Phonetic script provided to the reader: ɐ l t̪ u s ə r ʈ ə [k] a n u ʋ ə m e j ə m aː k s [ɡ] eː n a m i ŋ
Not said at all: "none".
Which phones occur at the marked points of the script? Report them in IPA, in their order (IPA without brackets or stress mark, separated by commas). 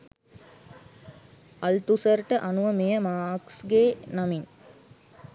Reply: ʔ, ɡ